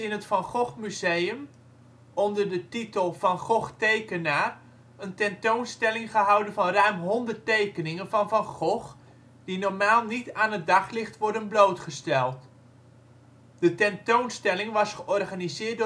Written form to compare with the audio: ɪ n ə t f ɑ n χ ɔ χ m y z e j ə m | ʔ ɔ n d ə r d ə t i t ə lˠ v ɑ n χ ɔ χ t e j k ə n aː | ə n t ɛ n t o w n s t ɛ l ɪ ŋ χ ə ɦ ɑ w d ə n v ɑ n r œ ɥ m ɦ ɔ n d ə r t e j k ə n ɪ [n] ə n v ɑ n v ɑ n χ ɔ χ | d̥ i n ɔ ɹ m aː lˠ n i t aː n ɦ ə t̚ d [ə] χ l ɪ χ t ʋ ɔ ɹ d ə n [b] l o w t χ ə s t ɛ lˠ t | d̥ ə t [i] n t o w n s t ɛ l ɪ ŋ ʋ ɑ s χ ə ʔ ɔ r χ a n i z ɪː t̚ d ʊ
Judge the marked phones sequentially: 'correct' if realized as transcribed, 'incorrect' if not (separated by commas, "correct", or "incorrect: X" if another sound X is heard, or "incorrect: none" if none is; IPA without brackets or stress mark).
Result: incorrect: ŋ, incorrect: ɑ, correct, incorrect: ɛ